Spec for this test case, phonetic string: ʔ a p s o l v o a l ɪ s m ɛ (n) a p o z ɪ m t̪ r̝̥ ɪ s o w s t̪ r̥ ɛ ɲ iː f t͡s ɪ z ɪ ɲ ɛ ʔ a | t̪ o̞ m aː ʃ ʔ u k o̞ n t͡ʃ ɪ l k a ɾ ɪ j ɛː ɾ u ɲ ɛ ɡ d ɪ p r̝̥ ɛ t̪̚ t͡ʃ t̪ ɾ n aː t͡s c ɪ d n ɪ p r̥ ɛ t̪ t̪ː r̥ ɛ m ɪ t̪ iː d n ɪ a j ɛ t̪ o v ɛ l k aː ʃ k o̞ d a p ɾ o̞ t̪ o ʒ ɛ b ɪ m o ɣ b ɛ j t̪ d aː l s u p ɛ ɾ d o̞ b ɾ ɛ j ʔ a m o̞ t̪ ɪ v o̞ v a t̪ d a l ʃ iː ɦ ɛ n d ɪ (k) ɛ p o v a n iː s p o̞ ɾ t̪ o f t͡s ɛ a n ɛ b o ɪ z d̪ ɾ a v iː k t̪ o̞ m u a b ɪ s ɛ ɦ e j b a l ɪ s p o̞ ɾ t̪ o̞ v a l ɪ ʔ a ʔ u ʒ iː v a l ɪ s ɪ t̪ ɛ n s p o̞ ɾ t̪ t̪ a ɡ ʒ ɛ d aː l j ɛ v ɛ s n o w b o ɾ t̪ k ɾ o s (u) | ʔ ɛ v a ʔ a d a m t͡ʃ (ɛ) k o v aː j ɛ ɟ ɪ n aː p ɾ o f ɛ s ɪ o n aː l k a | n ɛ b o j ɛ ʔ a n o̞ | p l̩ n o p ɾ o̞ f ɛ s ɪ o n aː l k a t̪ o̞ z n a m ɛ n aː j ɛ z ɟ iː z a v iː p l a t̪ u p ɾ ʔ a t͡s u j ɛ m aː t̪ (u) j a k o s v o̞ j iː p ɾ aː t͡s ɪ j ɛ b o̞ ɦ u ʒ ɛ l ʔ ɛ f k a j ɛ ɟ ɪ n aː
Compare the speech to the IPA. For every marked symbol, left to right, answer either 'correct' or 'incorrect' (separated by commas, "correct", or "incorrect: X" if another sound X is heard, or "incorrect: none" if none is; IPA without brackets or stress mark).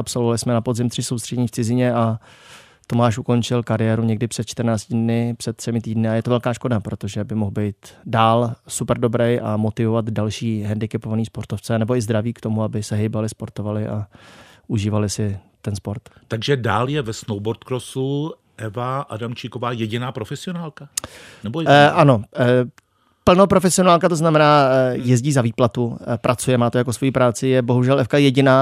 correct, correct, correct, incorrect: i, incorrect: o